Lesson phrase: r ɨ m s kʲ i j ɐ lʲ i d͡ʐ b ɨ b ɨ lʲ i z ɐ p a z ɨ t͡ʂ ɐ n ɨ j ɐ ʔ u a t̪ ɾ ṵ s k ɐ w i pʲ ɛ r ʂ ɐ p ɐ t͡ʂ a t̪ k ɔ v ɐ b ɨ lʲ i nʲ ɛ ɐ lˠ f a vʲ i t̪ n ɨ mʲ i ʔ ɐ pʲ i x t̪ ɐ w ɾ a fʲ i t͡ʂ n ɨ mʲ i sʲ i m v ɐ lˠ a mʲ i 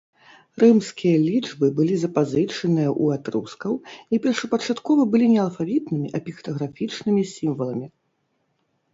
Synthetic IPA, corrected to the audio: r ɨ m s kʲ i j ɐ lʲ i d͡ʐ b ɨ b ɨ lʲ i z ɐ p a z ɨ t͡ʂ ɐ n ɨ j ɐ ʔ u a t̪ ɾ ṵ s k ɐ w i pʲ ɛ r ʂ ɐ p ɐ t͡ʂ a t̪ k ɔ v ɐ b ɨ lʲ i nʲ ɛ ɐ lˠ f a vʲ i t̪ n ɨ mʲ i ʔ ɐ pʲ i x t̪ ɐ ɣ ɾ a fʲ i t͡ʂ n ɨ mʲ i sʲ i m v ɐ lˠ ɐ mʲ i